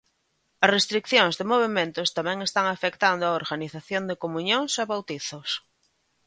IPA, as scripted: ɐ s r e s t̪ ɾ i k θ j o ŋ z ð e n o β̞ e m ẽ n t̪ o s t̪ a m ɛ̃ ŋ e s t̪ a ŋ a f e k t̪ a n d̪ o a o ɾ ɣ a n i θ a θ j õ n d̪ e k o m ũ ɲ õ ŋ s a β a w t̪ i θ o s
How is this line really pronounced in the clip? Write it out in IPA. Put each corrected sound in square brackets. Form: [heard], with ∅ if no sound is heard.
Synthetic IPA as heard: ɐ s r e s t̪ ɾ i k θ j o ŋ z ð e [m] o β̞ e m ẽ n t̪ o s t̪ a m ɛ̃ ŋ e s t̪ a ŋ a f e k t̪ a n d̪ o a o ɾ ɣ a n i θ a θ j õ n d̪ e k o m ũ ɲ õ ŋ s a β a w t̪ i θ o s